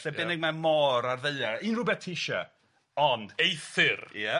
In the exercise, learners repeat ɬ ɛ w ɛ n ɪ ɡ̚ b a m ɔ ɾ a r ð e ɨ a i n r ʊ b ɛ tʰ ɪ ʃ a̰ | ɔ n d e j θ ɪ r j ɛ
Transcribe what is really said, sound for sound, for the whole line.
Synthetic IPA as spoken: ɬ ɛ b ɛ n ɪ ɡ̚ m a m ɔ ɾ a r ð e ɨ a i n r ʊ b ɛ tʰ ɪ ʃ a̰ | ɔ n d e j θ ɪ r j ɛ

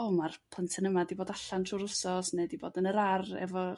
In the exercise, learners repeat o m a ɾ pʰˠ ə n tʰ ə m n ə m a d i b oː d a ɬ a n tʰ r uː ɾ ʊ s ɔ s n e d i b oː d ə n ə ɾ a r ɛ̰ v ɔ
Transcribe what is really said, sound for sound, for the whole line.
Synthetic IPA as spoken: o m a r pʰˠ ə n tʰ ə n ə m a d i b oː d a ɬ a n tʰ r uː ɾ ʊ s ɔ s n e d i b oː d ə n ə ɾ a r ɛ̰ v ɔ

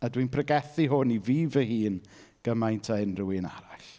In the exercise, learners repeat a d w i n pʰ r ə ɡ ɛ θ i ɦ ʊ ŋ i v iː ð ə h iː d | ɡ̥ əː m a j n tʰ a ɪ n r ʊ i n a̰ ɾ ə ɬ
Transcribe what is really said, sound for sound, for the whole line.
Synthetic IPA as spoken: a d w i n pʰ r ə ɡ ɛ θ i ɦ ʊ n i v iː v ə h iː n | ɡ̥ ə m a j n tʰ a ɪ n r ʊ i n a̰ ɾ a ɬ

